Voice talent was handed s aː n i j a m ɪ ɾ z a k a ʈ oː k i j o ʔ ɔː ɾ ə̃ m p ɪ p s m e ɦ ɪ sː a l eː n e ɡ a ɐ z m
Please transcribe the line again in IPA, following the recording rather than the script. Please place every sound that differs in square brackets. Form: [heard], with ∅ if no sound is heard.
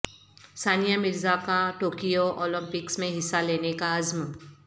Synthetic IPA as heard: s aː n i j a m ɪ ɾ z a k a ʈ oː k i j o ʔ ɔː [l] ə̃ m p ɪ [k] s m [ẽ] ɦ ɪ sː a l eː n e [k] a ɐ z m